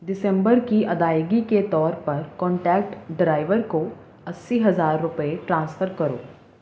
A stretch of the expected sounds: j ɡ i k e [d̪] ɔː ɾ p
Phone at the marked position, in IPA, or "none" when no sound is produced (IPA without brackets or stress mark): t̪